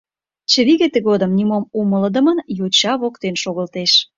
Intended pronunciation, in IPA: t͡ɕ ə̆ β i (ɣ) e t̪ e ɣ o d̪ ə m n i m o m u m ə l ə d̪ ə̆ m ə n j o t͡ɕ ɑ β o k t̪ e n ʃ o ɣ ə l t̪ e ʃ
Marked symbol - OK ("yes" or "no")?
yes